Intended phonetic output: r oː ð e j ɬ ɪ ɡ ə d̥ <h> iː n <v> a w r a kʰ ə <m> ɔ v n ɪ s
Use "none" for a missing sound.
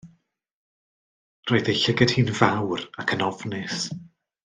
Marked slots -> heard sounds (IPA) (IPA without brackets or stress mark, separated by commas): h, v, n